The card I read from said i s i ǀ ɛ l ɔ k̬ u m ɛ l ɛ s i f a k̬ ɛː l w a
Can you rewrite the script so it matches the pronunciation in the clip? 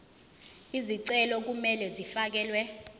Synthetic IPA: i z i ǀ ɛ l ɔ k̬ u m ɛ l ɛ z i f a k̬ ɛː l w ɛ

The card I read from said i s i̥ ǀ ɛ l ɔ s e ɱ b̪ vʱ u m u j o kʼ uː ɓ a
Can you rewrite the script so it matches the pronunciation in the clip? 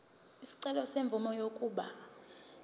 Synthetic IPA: i s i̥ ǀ ɛ l ɔ s e ɱ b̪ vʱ u m ɔ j o kʼ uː ɓ a

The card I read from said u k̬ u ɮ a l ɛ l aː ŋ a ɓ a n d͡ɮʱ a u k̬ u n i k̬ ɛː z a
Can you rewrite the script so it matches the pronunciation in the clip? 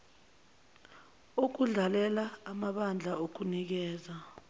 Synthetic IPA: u k̬ u ɮ a l ɛ l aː m a ɓ a n d͡ɮʱ a o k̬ u n i k̬ ɛː z a

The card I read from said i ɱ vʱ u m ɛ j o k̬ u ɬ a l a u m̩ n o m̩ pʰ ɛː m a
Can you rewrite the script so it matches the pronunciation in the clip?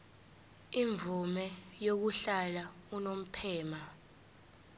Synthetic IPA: i ɱ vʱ u m ɛ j o k̬ u ɬ a l a u n o m̩ pʰ ɛː m a

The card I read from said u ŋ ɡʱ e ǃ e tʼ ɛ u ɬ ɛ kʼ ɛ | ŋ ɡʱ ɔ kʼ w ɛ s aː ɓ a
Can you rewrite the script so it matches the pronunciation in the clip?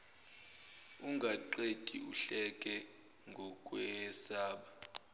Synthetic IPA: u ŋ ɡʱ a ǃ e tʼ i u ɬ ɛ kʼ ɛ | ŋ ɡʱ ɔ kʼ w ɛ s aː ɓ a

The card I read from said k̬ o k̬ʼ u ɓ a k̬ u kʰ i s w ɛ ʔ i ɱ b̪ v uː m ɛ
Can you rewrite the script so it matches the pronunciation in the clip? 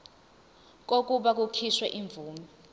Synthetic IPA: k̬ o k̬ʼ u ɓ a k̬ u kʰ i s w ɛ ʔ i ɱ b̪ v uː m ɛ

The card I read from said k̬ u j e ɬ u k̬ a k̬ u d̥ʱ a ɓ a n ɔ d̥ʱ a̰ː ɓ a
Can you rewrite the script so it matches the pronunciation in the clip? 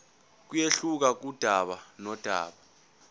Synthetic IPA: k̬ u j e ɬ u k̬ a k̬ u d̥ʱ a ɓ a n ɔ d̥ʱ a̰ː ɓ a

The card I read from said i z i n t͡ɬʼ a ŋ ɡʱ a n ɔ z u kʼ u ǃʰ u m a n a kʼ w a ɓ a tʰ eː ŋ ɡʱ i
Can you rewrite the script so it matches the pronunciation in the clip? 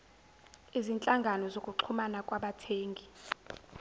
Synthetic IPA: i z i n t͡ɬʼ a ŋ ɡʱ a n ɔ z o kʼ u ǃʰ u m a n a kʼ w a ɓ a tʰ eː ŋ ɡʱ i

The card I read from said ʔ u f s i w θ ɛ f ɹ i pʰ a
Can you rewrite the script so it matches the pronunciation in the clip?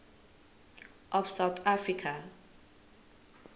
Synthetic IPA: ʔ ɔ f s a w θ a f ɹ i kʰ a

